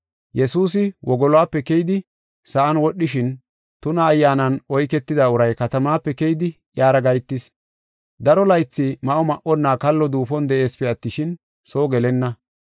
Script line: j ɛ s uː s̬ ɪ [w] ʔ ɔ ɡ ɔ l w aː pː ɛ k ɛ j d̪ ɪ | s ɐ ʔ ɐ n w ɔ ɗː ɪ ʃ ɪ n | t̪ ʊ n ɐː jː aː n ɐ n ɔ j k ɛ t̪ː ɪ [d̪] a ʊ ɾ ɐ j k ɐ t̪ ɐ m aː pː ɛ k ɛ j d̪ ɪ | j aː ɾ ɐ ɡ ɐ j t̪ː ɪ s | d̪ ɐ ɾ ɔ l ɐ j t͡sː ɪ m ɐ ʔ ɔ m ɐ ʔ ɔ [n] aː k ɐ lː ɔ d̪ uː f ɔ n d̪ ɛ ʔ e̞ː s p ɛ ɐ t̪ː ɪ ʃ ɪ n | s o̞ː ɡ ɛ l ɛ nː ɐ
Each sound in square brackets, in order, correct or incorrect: correct, correct, incorrect

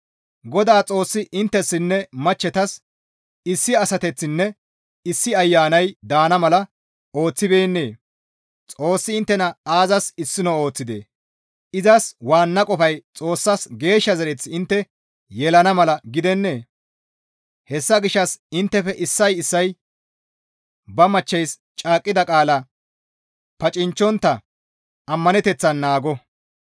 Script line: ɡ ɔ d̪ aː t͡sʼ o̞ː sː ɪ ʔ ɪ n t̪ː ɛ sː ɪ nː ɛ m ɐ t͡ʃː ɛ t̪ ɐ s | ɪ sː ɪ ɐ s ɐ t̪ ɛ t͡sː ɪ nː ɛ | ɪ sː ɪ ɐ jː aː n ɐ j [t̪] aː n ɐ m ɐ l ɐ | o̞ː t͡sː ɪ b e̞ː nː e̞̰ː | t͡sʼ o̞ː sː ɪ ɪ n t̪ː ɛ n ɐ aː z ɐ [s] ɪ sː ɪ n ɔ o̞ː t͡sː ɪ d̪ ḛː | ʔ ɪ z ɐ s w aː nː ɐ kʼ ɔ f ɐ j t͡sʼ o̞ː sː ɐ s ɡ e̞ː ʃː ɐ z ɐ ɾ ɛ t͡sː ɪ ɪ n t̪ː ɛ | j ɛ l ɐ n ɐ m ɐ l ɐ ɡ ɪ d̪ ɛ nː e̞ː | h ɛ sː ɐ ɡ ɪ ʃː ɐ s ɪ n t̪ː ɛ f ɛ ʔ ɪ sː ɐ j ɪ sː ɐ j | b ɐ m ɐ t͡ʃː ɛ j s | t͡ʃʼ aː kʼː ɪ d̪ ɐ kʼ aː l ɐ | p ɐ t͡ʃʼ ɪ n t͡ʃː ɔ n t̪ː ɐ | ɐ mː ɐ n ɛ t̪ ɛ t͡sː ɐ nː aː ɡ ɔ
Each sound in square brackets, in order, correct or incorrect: incorrect, correct

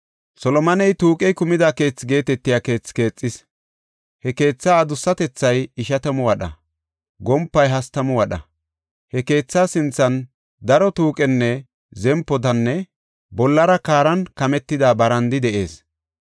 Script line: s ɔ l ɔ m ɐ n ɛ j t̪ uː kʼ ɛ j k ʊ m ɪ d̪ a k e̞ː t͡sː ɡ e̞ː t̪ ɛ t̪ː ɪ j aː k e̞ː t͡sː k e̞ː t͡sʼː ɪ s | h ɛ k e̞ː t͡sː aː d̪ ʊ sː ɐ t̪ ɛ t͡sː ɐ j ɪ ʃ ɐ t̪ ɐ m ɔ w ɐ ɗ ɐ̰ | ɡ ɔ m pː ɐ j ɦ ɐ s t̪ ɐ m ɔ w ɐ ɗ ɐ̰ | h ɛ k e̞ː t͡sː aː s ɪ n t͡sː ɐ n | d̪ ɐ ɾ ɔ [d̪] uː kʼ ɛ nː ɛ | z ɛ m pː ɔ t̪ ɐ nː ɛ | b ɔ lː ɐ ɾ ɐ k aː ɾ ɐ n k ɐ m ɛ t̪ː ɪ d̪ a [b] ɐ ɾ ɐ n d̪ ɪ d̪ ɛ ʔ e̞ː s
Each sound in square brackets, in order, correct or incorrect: incorrect, correct

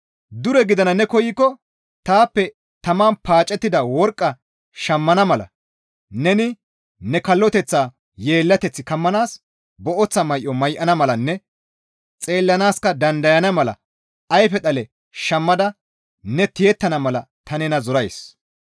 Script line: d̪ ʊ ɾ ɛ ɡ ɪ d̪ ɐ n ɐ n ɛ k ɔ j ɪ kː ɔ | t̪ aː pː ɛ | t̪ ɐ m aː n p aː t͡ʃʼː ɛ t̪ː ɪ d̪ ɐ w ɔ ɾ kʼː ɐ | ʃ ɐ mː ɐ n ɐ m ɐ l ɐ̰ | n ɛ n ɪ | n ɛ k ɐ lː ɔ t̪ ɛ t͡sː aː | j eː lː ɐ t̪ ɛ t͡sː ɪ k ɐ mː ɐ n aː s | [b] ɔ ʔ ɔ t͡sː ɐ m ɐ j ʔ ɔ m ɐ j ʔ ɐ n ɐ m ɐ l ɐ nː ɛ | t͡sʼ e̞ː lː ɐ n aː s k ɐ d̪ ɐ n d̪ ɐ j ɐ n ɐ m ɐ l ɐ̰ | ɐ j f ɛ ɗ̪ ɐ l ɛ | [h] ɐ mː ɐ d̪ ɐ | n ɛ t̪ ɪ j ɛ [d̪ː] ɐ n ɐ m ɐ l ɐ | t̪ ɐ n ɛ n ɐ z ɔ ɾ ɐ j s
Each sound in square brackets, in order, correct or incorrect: correct, incorrect, incorrect

